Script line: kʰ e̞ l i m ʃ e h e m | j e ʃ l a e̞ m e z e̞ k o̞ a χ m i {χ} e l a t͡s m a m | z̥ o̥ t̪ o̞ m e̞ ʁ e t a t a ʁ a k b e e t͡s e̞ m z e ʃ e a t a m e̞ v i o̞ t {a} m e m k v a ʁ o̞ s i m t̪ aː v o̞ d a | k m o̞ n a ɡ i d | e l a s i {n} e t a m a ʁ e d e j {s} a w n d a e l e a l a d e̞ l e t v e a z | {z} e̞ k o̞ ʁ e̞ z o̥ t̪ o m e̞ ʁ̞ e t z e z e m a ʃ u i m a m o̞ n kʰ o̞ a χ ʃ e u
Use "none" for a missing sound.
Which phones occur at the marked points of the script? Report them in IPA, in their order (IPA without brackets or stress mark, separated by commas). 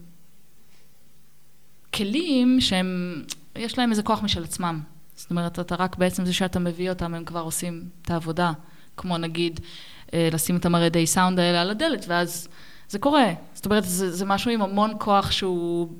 ʃ, a, m, s, z